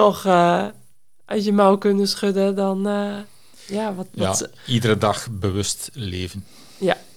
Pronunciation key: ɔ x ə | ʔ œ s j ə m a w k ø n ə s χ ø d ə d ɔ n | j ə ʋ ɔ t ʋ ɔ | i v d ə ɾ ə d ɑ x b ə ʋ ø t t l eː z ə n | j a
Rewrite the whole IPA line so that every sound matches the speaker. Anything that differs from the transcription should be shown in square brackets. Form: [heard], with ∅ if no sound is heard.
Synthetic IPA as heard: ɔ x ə | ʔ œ s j ə m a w k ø n ə s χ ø d ə d ɔ n | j [a] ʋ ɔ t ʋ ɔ | i [∅] d ə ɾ ə d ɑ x b ə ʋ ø [s] t l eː [v] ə n | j a